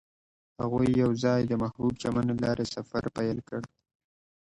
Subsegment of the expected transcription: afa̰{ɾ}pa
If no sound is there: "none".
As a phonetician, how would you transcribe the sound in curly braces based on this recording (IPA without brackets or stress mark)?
ɾ